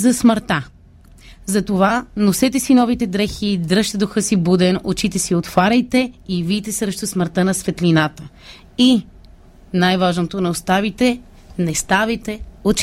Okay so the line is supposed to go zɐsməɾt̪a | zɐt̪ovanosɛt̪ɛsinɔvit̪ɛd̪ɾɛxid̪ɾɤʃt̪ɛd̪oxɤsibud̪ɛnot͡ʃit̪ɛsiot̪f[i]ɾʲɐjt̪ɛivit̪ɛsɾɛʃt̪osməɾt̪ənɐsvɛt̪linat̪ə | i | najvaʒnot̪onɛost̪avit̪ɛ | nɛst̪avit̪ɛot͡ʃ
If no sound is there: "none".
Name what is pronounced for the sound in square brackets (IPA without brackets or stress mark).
a